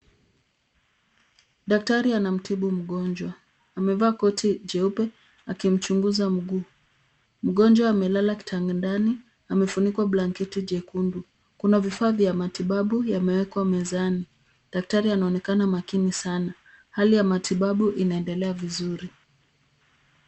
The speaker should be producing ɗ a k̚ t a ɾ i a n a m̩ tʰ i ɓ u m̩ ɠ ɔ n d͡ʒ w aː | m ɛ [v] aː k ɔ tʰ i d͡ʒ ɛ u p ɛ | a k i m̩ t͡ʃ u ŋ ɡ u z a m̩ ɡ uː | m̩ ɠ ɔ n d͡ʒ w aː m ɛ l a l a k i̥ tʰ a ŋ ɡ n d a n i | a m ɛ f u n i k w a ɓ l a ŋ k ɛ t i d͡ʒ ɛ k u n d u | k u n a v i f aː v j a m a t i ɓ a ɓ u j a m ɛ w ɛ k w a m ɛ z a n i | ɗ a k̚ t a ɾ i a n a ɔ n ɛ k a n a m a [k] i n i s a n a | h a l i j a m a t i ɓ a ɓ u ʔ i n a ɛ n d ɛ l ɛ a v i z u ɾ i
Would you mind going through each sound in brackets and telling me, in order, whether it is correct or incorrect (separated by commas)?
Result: correct, correct